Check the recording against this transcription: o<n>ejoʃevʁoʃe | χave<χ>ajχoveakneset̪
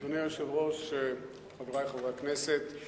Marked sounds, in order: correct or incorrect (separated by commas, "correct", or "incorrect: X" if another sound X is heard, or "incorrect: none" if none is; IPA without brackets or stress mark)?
correct, incorrect: ʁ